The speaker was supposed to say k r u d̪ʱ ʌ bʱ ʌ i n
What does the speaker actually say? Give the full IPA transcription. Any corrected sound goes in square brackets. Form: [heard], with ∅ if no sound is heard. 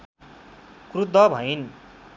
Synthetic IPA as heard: k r u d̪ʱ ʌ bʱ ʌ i n